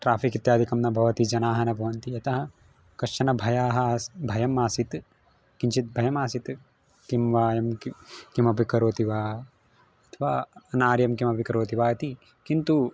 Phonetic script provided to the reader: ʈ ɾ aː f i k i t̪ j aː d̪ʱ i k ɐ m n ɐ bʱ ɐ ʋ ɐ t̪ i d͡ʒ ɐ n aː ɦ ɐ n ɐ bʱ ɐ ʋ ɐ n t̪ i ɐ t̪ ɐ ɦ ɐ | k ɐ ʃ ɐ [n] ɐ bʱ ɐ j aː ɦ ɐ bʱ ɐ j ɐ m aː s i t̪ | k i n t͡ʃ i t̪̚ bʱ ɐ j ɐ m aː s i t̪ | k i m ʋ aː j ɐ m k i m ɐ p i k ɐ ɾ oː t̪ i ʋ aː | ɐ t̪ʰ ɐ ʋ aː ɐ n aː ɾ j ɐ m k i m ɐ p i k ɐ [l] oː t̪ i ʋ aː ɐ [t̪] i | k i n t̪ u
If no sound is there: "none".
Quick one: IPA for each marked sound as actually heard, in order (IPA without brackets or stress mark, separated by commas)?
n, ɾ, t̪